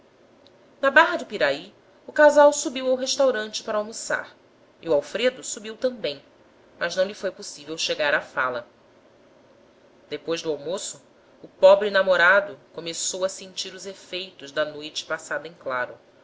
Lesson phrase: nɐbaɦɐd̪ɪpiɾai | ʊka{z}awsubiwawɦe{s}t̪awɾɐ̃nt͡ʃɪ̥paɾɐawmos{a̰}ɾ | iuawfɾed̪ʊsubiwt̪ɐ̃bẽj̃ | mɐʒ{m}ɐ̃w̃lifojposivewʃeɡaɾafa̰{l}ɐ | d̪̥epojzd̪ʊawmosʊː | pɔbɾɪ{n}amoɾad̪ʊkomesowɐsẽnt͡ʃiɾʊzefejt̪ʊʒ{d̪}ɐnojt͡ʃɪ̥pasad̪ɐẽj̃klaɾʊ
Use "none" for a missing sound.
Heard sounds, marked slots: z, ʃ, a̰, n, l, n, d̪

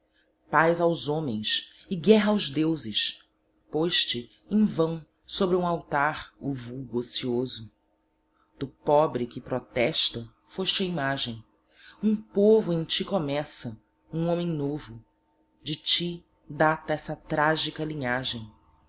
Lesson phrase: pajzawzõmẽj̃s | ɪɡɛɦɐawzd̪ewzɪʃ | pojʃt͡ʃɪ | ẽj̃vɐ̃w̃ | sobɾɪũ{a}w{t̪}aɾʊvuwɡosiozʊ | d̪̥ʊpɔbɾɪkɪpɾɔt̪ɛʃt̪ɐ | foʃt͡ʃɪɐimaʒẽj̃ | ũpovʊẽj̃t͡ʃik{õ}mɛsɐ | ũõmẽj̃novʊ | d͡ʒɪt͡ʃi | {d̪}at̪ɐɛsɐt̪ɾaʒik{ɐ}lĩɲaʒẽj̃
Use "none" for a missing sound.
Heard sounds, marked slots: a, t̪, o, d̪, ɐ

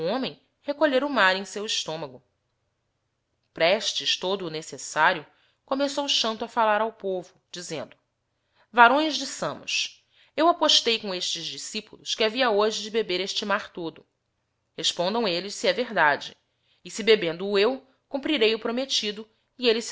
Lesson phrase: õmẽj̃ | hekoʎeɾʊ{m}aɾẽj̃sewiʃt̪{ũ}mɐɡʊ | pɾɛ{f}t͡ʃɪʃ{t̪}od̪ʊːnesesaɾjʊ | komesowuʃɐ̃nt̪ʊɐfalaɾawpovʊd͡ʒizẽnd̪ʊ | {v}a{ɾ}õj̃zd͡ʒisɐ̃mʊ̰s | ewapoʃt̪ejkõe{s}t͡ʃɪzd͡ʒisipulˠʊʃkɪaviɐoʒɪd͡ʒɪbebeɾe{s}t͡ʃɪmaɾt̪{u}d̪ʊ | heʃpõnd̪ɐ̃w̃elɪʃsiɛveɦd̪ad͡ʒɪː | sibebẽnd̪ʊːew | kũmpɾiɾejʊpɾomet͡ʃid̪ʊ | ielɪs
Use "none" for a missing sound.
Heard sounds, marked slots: m, õ, ʃ, t̪, v, ɾ, ʃ, ʃ, o

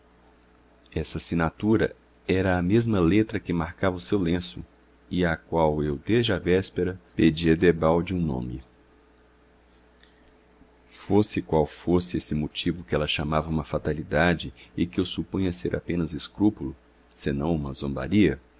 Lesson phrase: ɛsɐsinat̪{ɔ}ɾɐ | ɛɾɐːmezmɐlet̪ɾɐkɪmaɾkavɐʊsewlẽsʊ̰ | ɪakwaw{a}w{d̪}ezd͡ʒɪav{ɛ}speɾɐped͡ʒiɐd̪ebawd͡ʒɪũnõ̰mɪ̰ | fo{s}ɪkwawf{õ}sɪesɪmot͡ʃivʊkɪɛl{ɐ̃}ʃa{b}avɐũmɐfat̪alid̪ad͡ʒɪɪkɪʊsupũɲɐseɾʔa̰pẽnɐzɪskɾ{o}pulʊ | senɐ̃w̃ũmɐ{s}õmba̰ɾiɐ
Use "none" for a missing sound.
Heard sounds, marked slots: u, e, d̪, ɛ, s, o, ɐ, m, u, z

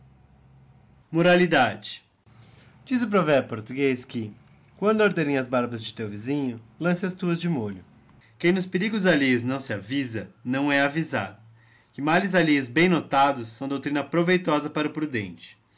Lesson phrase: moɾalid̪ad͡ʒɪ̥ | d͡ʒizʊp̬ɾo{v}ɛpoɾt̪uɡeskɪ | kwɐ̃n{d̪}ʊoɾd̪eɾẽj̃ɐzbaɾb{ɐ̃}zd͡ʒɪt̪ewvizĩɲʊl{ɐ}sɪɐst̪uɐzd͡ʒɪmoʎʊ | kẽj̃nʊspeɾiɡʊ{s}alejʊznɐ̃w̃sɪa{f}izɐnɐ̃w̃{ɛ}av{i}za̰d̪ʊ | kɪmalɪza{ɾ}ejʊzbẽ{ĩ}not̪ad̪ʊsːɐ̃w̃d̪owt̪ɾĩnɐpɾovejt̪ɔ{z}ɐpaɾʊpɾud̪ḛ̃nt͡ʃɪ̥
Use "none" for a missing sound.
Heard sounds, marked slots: v, d̪, ɐ, ɐ̃, z, v, ɛ, i, l, j̃, z

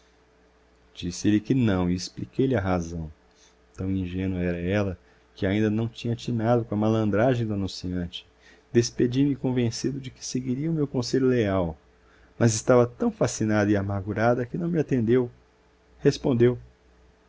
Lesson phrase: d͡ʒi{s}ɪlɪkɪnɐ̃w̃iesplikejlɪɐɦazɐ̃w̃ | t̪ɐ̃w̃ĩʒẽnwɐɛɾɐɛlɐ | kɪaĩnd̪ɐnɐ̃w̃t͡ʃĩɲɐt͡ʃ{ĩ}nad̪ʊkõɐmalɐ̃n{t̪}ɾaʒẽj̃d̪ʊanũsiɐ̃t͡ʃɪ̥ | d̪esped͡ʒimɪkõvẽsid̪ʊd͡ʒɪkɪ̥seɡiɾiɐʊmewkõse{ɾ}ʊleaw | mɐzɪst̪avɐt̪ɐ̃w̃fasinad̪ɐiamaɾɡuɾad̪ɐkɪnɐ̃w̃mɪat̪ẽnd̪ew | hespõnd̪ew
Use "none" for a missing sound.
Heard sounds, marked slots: s, i, d̪, ʎ

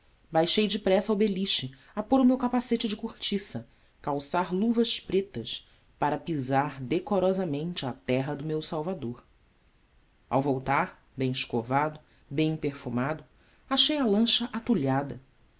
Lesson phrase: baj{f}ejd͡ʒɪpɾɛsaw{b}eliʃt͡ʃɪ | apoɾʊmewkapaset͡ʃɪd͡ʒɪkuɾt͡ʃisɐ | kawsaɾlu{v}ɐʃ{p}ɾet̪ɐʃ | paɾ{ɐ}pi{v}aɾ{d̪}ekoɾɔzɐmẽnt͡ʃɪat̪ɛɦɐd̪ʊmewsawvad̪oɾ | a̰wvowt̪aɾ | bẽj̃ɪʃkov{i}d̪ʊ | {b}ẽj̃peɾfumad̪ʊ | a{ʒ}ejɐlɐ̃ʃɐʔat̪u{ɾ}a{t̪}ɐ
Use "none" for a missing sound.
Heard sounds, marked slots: ʃ, b, v, p, ɐ, z, d̪, a, b, ʃ, ʎ, d̪

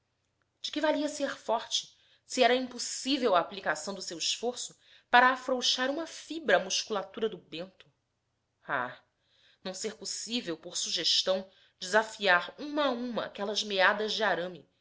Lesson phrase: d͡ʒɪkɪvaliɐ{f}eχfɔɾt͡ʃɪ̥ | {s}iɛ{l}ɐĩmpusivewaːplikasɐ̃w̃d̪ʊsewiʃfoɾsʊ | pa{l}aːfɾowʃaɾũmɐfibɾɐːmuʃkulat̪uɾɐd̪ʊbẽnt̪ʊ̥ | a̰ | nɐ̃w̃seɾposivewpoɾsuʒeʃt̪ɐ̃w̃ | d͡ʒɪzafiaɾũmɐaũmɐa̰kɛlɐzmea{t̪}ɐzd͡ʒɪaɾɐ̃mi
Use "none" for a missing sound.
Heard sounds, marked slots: s, s, ɾ, ɾ, d̪

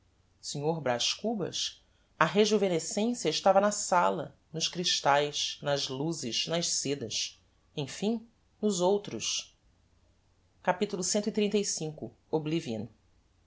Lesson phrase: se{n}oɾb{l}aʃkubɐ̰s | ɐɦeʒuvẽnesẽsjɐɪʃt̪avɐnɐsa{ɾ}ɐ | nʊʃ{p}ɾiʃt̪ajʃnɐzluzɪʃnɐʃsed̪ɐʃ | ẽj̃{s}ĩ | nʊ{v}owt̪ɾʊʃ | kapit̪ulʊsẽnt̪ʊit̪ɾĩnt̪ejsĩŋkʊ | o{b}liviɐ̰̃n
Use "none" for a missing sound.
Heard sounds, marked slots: ɲ, ɾ, l, k, f, z, b

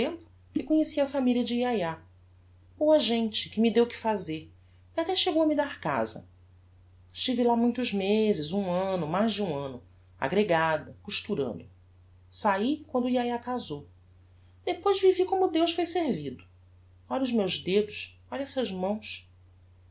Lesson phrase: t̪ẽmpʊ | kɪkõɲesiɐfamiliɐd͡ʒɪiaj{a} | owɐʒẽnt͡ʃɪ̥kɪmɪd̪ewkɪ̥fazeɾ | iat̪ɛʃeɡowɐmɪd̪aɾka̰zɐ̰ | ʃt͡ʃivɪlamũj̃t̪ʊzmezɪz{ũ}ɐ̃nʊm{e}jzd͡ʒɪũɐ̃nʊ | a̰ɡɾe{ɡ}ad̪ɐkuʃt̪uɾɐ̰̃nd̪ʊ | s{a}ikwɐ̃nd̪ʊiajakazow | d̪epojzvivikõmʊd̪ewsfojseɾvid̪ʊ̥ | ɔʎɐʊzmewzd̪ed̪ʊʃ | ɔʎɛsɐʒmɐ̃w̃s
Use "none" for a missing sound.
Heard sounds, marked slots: a, ũ, a, ɡ, a

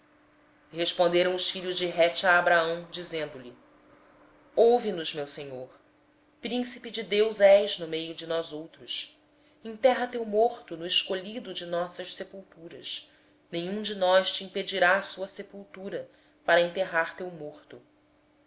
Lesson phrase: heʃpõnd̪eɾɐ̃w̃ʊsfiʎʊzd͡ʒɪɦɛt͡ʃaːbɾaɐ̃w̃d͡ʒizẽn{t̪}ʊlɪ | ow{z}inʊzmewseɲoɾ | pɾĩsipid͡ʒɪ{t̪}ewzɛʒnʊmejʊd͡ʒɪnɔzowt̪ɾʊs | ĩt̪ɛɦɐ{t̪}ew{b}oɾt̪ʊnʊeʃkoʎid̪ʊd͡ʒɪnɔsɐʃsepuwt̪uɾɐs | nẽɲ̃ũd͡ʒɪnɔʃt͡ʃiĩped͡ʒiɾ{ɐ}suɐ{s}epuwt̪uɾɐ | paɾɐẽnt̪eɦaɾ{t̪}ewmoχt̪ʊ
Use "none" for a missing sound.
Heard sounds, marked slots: d̪, v, d̪, t̪, m, a, s, t̪

